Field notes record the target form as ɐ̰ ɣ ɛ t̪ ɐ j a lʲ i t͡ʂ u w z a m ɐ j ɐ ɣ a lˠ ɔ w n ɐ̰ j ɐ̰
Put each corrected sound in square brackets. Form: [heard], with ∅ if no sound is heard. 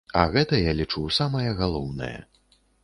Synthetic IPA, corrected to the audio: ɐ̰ ɣ ɛ t̪ ɐ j a lʲ i t͡ʂ u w [s] a m ɐ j ɐ ɣ a lˠ ɔ w n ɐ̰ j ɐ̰